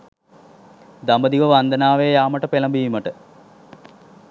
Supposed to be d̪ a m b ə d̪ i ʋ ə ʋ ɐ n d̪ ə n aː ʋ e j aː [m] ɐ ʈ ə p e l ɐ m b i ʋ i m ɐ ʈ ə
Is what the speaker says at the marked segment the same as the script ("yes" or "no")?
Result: yes